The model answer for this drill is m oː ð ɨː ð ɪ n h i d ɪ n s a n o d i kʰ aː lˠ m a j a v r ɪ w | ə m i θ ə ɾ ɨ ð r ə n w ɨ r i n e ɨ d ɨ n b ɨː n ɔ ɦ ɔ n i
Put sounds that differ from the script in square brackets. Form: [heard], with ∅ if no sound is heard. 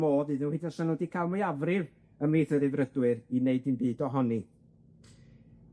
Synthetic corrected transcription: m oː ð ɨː ð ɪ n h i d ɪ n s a n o d i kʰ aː lˠ m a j a v r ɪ [v] | ə m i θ ə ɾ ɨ [v] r ə [d] w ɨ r i n e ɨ d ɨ n b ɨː [d] ɔ ɦ ɔ n i